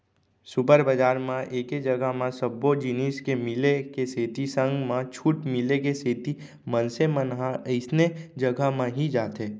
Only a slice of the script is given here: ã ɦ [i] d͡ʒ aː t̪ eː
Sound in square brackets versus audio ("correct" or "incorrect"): correct